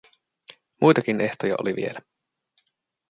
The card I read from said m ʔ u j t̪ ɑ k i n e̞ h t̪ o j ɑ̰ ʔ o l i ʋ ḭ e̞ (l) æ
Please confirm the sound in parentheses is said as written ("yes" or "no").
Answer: yes